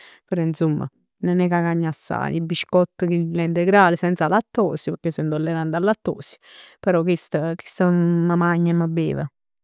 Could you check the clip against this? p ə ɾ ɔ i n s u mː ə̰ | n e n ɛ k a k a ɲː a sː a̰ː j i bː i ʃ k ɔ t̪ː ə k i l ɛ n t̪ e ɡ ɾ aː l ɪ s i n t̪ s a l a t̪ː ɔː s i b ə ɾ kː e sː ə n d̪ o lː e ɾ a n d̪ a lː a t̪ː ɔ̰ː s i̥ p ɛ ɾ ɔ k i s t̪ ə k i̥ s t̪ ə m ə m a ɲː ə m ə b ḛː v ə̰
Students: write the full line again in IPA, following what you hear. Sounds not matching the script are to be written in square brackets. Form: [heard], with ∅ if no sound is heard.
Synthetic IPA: p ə ɾ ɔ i n s u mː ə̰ | n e n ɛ k a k a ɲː a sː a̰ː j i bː i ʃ k ɔ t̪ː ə k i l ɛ n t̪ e ɡ ɾ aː l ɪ s [ɛ] n t̪ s a l a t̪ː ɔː s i [p] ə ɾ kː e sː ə n d̪ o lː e ɾ a n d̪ a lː a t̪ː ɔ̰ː s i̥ p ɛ ɾ ɔ k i s t̪ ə k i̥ s t̪ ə m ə m a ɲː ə m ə b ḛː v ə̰